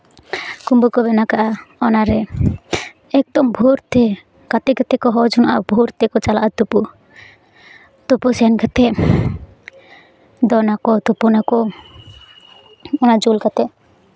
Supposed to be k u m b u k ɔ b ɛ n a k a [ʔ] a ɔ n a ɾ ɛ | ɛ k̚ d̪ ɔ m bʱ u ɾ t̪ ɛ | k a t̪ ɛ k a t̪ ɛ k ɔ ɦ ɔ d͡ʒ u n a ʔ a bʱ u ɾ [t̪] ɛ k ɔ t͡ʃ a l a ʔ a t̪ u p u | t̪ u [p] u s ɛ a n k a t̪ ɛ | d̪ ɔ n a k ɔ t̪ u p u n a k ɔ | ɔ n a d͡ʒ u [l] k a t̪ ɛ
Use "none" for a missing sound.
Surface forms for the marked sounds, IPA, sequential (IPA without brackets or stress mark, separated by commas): ʔ, t̪, p, l